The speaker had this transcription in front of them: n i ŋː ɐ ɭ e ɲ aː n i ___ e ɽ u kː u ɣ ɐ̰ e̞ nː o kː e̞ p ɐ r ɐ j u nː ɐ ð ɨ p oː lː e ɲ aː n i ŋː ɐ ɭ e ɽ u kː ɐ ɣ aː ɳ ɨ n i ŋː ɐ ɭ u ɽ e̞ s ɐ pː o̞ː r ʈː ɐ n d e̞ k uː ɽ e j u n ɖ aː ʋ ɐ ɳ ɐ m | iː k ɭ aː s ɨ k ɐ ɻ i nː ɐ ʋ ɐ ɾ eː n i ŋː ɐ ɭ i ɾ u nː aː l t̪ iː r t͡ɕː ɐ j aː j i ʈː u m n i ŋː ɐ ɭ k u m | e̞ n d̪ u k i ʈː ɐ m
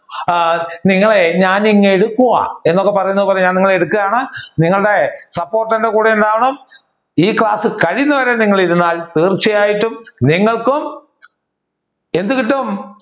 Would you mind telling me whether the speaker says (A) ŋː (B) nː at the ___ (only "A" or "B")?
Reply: A